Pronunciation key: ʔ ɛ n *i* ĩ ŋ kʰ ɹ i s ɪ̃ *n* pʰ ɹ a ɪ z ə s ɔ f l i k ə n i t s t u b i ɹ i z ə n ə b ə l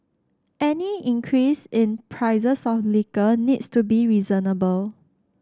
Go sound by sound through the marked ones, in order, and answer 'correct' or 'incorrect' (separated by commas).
correct, correct